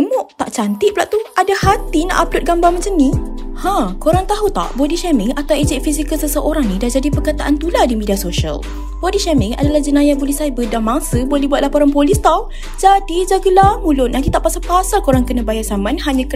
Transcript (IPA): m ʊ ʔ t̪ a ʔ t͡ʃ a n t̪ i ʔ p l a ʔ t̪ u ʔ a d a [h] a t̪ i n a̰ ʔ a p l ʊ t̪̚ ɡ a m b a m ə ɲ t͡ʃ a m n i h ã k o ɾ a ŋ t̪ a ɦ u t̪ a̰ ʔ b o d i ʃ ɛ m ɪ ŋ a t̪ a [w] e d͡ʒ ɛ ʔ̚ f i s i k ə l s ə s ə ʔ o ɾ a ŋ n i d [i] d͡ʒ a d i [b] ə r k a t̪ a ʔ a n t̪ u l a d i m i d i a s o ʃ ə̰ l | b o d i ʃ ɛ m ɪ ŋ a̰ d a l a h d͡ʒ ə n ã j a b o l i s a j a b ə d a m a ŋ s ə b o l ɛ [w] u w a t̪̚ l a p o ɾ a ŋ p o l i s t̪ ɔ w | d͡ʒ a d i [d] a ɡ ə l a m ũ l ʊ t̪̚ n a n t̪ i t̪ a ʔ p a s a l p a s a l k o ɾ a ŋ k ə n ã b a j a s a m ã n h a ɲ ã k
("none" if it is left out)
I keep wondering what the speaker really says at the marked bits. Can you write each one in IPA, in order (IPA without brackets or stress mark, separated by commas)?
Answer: h, w, a, p, b, d͡ʒ